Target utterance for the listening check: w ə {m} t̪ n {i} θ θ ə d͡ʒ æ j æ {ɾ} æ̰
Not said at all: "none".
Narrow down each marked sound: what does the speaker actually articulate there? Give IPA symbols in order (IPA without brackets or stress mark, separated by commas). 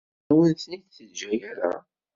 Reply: n, i, ɾ